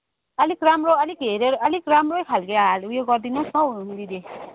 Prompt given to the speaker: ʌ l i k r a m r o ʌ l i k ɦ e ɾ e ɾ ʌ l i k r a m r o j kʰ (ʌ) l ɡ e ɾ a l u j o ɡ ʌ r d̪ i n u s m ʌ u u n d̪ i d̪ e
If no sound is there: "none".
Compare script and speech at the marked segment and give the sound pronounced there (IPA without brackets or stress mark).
a